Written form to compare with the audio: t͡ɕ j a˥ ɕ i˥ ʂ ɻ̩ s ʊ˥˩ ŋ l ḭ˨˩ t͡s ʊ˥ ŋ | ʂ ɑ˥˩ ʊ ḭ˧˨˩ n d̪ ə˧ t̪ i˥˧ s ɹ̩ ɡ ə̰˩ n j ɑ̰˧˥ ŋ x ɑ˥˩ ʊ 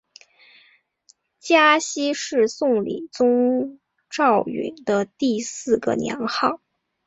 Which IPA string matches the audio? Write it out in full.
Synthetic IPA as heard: t͡ɕ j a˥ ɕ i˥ ʂ ɻ̩ s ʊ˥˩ ŋ l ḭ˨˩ t͡s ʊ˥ ŋ | ʈ͡ʂ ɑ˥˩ ʊ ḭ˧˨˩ n d̪ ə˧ t̪ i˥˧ s ɹ̩ ɡ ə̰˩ n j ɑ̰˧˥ ŋ x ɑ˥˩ ʊ